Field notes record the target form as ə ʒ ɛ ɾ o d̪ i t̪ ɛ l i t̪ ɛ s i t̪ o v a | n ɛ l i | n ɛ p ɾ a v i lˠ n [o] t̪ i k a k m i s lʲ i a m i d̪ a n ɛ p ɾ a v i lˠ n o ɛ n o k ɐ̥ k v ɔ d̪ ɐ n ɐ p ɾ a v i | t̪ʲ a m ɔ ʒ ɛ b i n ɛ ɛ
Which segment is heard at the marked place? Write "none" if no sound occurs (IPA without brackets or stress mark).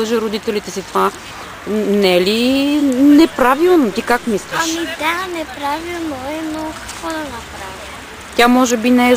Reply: o